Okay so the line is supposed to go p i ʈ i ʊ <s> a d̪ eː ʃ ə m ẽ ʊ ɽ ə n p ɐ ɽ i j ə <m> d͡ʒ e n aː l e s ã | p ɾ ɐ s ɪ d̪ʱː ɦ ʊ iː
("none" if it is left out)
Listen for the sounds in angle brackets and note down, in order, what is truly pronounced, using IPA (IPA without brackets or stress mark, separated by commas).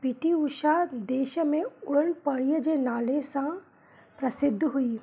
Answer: ʃ, none